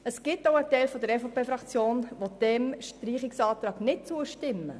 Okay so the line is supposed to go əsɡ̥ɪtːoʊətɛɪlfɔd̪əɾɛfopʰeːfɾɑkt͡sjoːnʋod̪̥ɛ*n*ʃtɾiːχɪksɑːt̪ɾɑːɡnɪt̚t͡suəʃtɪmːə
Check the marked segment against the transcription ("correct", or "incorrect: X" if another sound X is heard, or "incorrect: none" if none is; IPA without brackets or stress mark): incorrect: m